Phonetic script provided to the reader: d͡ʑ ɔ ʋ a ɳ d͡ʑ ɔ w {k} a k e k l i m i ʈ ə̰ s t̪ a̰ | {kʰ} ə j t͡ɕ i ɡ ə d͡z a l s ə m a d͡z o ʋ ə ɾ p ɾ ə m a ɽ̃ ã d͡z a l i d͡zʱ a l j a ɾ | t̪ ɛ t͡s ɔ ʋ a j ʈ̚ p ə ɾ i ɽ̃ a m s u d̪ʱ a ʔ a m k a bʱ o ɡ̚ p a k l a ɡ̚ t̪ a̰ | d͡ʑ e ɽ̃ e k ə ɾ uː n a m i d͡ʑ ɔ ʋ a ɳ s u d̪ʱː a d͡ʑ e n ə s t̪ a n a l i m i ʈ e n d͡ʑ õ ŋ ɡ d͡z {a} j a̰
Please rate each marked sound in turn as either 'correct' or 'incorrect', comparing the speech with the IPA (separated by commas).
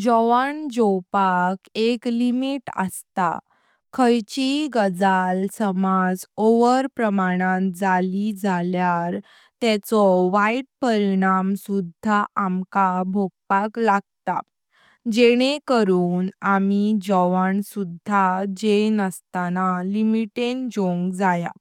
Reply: incorrect, correct, correct